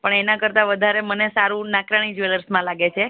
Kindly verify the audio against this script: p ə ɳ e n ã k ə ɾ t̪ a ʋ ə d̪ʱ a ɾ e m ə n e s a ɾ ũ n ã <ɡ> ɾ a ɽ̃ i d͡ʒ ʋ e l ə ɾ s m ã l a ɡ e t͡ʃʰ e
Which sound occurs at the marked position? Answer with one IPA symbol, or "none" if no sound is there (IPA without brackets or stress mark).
k